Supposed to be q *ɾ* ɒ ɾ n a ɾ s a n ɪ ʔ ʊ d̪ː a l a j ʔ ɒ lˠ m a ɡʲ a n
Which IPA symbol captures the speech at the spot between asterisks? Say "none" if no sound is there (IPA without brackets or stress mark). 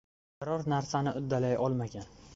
ɾ